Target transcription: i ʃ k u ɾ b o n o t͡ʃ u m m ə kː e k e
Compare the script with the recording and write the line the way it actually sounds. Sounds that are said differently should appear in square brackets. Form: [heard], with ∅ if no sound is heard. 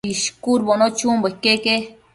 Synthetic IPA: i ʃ k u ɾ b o n o t͡ʃ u m [b] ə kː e k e